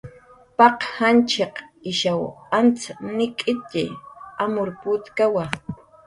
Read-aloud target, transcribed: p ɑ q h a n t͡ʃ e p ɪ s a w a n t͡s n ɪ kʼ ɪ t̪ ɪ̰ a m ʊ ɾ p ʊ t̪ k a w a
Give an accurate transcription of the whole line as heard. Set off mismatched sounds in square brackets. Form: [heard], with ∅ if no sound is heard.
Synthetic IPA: p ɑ q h a n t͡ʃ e [q] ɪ [ʃ] a w a n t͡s n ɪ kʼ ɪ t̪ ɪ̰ a m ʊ ɾ p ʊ t̪ k a w a